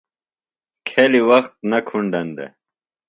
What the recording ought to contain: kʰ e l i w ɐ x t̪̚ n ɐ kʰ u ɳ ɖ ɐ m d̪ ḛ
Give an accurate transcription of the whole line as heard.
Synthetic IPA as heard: kʰ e l i w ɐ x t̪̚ n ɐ kʰ u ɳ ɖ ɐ n d̪ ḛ